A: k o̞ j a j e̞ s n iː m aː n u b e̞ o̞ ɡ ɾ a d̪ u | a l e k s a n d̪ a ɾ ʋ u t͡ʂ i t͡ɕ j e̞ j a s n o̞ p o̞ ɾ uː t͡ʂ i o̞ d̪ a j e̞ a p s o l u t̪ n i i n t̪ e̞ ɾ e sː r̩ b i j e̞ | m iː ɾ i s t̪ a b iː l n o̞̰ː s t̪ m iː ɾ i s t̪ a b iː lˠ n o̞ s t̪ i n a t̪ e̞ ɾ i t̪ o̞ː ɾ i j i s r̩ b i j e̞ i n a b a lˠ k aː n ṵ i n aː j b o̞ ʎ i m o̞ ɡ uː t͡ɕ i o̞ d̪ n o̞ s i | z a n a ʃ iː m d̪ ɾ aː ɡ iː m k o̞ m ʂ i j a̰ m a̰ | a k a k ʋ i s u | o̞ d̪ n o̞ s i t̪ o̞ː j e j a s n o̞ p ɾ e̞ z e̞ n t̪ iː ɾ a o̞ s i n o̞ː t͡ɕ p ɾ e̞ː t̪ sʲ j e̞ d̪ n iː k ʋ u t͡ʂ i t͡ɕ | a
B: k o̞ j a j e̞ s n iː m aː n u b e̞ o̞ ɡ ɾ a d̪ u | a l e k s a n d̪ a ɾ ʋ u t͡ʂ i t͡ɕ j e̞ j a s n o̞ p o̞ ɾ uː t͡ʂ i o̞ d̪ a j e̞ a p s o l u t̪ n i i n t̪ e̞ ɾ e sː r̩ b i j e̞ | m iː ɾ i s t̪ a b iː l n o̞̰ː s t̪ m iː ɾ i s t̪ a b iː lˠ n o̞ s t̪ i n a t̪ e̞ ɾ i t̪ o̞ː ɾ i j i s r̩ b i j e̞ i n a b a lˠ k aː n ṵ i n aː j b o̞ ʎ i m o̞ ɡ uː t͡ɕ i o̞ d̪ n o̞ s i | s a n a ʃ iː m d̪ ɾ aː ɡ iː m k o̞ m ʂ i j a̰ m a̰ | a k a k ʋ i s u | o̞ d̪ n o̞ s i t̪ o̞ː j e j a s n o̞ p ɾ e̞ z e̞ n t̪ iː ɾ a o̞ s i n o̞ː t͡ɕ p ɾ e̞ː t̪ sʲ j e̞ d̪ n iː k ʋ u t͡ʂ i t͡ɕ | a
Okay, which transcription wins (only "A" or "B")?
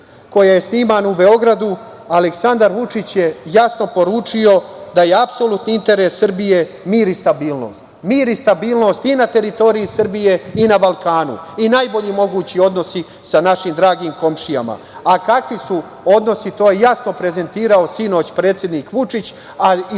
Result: B